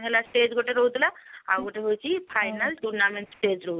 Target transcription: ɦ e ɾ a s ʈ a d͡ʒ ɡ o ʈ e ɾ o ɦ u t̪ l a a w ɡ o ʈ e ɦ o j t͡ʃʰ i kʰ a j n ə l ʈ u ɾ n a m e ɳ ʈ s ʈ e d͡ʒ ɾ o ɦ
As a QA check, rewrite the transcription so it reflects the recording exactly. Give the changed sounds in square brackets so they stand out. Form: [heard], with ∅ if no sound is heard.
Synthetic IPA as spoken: ɦ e [l] a s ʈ [e] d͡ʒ ɡ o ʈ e ɾ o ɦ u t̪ l a a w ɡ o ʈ e ɦ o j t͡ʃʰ i [pʰ] a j n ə l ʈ u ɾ n a m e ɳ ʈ s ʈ e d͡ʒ ɾ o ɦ